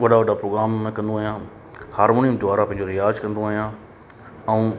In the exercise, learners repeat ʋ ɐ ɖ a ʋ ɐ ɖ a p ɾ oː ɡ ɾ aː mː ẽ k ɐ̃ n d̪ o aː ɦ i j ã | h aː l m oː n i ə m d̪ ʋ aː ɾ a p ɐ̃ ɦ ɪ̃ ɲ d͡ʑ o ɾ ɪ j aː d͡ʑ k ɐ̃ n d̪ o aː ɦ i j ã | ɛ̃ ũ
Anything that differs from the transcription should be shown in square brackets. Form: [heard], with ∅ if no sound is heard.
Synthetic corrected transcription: ʋ ɐ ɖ a ʋ ɐ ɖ a p ɾ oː ɡ ɾ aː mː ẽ k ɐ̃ n d̪ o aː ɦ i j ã | h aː [ɾ] m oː n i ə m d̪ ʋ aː ɾ a p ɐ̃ ɦ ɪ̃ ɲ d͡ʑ o ɾ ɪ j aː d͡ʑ k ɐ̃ n d̪ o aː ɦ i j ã | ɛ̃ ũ

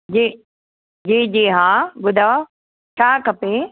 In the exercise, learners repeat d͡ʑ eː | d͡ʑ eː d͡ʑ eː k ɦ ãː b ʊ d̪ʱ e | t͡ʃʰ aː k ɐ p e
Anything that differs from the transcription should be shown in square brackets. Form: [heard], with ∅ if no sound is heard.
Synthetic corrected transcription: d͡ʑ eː | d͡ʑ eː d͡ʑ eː [∅] ɦ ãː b ʊ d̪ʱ [a] | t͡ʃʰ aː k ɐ p e

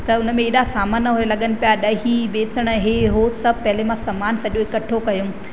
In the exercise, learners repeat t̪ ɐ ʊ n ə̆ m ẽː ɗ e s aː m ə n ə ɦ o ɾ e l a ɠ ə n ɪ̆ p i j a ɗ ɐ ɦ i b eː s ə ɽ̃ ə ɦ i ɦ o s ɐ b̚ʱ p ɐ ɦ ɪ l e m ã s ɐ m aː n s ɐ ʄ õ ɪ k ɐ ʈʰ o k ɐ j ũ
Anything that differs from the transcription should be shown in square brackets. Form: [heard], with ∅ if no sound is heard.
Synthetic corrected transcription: t̪ ɐ ʊ n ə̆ m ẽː ɗ [a] s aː m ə n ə ɦ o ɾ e l [ɐ] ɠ ə n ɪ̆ p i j a ɗ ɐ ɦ i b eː s ə ɽ̃ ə ɦ [e] ɦ o s ɐ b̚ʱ p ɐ ɦ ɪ l e m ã s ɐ m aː n s ɐ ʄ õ ɪ k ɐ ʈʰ o k ɐ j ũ

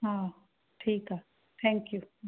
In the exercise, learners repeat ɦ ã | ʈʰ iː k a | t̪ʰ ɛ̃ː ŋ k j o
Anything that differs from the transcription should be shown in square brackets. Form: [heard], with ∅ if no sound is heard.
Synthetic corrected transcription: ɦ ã | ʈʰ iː k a | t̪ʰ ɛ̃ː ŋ k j [u]

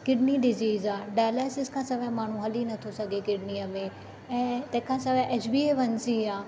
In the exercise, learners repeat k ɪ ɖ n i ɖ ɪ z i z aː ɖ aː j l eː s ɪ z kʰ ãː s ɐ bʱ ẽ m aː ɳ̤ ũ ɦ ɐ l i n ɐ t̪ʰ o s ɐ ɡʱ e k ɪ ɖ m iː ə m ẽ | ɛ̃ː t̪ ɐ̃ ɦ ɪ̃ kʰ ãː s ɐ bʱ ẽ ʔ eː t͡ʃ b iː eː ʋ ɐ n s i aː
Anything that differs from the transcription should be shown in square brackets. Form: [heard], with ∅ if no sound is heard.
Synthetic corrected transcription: k ɪ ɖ n i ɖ ɪ z [iː] z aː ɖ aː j l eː s ɪ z kʰ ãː s ɐ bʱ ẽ m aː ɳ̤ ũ ɦ ɐ l i n ɐ t̪ʰ o s ɐ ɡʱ e k ɪ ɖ [n] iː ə m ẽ | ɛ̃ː t̪ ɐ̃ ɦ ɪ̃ kʰ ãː s ɐ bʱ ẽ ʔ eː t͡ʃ b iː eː ʋ ɐ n s i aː

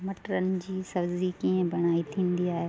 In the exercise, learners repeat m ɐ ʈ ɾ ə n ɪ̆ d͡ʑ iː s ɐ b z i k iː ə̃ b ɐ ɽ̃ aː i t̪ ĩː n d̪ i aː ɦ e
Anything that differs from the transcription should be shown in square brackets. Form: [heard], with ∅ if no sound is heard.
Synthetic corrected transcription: m ɐ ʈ ɾ ə n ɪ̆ d͡ʑ iː s ɐ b z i k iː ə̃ b ɐ ɽ̃ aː i [t̪ʰ] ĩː n d̪ i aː ɦ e

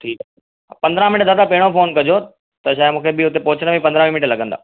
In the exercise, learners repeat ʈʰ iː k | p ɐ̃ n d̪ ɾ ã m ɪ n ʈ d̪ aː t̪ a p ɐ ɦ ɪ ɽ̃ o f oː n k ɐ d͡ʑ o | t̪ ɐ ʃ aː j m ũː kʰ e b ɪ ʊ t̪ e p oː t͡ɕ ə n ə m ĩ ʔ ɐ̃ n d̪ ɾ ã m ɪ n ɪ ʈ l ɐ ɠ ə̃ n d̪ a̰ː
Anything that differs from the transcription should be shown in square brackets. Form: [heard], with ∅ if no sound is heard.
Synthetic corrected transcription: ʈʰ iː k | p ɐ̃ n d̪ ɾ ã m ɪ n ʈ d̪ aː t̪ a p ɐ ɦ ɪ ɽ̃ o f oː n k ɐ d͡ʑ o | t̪ ɐ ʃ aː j m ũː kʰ e b ɪ ʊ t̪ e p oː t͡ɕ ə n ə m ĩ [p] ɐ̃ n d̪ ɾ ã m ɪ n ɪ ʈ l ɐ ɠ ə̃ n d̪ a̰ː

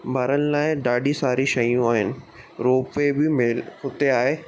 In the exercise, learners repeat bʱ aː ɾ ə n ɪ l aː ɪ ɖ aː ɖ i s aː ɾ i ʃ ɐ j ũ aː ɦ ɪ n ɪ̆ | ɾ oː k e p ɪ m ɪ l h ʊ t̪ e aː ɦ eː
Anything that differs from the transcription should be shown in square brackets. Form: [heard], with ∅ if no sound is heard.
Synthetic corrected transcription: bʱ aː ɾ ə n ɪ l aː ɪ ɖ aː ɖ i s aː ɾ i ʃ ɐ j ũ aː ɦ ɪ n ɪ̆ | ɾ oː [p] e [b] ɪ m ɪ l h ʊ t̪ e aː ɦ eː

